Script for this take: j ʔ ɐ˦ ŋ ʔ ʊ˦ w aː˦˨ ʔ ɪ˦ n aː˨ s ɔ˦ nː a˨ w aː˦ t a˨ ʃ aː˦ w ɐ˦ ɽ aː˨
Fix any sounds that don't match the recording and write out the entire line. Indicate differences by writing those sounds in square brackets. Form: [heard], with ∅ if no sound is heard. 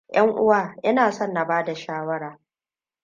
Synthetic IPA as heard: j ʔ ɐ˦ ŋ ʔ ʊ˦ w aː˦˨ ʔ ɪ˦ n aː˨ s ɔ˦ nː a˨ [b] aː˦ [d] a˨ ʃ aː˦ w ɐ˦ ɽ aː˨